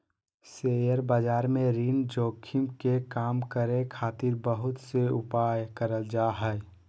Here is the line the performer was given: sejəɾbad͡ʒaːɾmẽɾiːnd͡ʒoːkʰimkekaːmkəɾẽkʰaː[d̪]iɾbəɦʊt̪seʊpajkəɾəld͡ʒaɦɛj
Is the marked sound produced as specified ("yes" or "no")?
no